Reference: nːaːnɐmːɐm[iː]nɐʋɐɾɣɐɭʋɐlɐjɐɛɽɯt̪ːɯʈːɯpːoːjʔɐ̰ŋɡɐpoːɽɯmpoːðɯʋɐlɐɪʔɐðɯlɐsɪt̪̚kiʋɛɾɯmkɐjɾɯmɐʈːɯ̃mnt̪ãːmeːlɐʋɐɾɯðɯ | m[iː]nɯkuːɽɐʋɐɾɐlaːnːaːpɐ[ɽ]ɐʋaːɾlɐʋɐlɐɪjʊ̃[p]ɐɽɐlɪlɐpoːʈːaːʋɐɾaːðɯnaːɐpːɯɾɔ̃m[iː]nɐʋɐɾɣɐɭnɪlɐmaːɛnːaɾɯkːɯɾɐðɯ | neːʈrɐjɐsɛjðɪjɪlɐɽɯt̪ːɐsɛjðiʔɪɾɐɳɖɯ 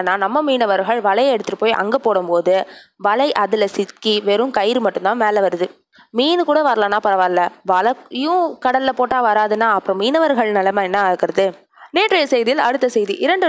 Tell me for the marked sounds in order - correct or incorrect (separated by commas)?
correct, correct, incorrect, incorrect, correct